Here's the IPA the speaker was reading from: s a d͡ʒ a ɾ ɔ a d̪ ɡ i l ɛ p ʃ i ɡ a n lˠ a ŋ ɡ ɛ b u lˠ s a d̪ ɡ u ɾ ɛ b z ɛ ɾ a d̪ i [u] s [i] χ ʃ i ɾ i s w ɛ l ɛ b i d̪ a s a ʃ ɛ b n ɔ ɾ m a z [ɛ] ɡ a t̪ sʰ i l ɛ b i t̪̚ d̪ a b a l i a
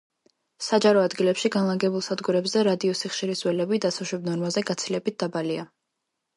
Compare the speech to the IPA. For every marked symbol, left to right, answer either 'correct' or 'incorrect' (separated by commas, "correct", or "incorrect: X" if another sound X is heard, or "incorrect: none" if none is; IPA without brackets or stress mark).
incorrect: ɔ, correct, correct